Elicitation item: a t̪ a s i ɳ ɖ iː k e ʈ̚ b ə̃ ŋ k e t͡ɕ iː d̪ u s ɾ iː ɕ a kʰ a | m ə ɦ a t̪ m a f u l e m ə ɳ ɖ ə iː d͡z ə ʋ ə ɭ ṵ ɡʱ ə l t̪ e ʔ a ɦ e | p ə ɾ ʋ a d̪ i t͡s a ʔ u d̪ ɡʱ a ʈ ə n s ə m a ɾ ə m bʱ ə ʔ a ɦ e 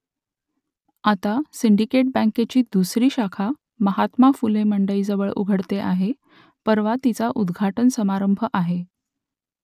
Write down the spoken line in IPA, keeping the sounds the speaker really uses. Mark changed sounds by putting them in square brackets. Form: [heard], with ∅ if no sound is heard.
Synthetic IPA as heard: a t̪ a s i ɳ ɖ [i] k e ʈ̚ b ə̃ ŋ k e t͡ɕ iː d̪ u s ɾ iː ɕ a kʰ a | m ə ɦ a t̪ m a f u l e m ə ɳ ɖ ə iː d͡z ə ʋ ə ɭ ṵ ɡʱ ə [ɽ] t̪ e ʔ a ɦ e | p ə ɾ ʋ a [t̪] i t͡s a ʔ u d̪ ɡʱ a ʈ ə n s ə m a ɾ ə m bʱ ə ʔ a ɦ e